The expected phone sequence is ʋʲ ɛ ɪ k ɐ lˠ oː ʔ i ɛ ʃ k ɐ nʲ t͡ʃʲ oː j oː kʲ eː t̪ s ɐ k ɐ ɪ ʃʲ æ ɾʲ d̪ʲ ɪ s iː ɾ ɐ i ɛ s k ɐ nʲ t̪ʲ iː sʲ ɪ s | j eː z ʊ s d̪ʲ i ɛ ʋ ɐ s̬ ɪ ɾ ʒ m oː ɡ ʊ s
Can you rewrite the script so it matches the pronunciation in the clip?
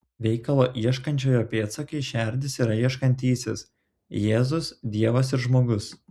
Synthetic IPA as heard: ʋʲ ɛ ɪ k ɐ lˠ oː ʔ i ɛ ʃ k ɐ nʲ t͡ʃʲ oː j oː pʲ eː t̪ s ɐ k ɐ ɪ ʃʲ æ ɾʲ d̪ʲ ɪ s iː ɾ ɐ i ɛ ʃ k ɐ nʲ t̪ʲ iː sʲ ɪ s | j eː z ʊ s d̪ʲ i ɛ ʋ ɐ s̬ ɪ ɾ ʒ m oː ɡ ʊ s